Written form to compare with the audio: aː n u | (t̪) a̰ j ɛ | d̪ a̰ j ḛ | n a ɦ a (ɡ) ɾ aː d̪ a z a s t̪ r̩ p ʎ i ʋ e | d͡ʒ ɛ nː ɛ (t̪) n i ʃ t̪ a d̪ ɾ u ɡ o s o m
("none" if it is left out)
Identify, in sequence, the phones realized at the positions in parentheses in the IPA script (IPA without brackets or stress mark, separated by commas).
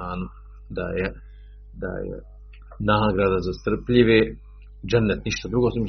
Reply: d̪, ɡ, t̪